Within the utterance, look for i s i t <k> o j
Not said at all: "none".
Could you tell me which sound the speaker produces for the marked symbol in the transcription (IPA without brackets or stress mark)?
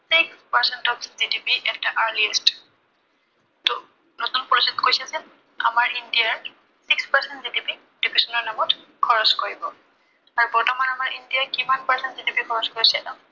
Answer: k